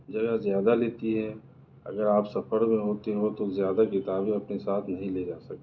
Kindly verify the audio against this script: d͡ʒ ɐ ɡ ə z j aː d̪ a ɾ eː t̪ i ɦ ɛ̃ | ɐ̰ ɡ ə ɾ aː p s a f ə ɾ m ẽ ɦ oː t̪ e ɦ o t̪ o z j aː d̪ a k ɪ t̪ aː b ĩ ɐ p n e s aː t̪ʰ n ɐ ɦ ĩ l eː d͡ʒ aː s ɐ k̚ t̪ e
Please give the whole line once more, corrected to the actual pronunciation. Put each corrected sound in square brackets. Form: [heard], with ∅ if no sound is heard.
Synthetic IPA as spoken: d͡ʒ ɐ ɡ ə z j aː d̪ a [l] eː t̪ i ɦ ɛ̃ | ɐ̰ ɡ ə ɾ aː p s [ɐ] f ə ɾ m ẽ ɦ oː t̪ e ɦ o t̪ o z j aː d̪ a k ɪ t̪ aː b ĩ ɐ p n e s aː t̪ʰ n ɐ ɦ ĩ l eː d͡ʒ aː s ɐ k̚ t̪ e